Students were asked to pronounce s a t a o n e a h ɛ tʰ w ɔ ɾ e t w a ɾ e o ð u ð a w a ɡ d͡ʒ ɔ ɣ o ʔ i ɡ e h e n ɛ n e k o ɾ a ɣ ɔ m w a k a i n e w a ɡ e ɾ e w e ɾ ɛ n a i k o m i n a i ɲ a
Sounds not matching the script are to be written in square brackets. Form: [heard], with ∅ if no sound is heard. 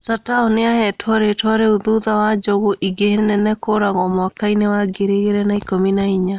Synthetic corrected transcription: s a t a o n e a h ɛ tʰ w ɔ ɾ e t w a ɾ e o ð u ð a w a [∅] d͡ʒ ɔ ɣ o ʔ i ɡ e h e n ɛ n [ɛ] k o ɾ a ɣ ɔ m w a k a i n e w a ɡ e ɾ e [ɣ] e ɾ ɛ n a i k o m i n a i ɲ a